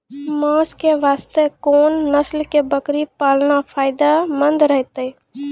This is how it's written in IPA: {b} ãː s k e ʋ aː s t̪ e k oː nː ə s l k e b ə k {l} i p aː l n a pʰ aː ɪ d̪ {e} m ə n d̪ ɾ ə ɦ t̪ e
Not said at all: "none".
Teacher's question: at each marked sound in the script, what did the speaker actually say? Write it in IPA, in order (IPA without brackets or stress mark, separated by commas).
m, ɾ, a